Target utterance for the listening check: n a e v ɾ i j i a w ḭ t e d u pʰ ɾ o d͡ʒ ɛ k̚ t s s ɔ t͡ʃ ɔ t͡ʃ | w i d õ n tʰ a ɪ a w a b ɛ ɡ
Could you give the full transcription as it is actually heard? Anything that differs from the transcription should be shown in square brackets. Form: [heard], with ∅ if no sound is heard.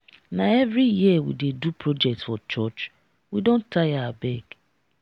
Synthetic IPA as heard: n a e v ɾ i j i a w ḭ [d] e d u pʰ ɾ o d͡ʒ ɛ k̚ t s [f] ɔ t͡ʃ ɔ t͡ʃ | w i d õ n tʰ a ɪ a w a b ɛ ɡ